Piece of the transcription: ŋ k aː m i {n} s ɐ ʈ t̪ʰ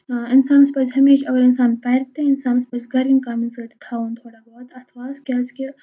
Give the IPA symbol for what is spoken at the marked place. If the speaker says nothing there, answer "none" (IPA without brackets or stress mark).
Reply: n